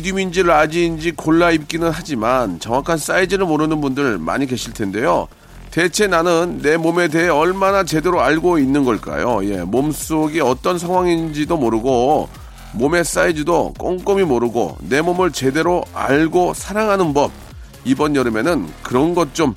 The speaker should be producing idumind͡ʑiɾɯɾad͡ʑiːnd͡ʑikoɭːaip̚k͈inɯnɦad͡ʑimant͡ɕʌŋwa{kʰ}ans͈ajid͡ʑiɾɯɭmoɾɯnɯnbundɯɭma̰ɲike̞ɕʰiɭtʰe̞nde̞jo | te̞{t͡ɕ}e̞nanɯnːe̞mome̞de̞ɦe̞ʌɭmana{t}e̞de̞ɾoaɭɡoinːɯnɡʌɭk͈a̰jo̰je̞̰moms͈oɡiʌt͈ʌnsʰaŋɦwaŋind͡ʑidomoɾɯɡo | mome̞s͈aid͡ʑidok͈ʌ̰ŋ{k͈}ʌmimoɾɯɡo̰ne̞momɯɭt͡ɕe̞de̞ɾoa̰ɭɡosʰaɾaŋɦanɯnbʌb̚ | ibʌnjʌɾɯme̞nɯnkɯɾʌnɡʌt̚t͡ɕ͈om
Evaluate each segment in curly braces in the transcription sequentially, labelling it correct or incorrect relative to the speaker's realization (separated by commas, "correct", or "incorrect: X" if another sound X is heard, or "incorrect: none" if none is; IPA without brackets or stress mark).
correct, incorrect: t͡ɕʰ, incorrect: t͡ɕ, correct